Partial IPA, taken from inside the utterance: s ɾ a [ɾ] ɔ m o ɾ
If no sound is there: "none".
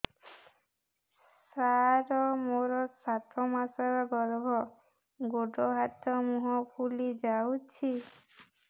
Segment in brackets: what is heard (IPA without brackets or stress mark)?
ɾ